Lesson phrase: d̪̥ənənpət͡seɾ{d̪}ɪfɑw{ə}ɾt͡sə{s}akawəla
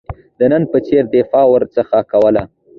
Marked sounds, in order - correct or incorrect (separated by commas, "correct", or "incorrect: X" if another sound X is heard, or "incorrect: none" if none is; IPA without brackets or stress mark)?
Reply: correct, correct, incorrect: x